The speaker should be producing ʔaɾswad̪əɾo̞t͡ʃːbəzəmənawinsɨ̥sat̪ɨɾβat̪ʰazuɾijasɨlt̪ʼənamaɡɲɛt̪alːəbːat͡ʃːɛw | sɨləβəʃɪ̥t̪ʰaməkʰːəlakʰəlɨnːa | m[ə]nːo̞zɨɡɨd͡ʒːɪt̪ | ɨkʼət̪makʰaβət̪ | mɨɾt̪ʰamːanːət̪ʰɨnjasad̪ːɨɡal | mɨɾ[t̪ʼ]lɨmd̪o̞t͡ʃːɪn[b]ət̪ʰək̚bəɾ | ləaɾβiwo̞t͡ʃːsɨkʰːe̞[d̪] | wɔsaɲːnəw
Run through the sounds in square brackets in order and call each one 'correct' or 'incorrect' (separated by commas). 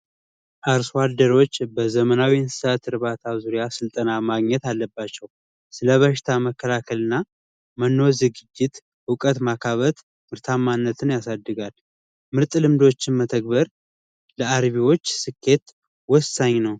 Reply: correct, correct, incorrect, incorrect